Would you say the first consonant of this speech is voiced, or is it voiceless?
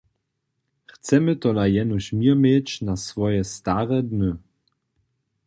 voiceless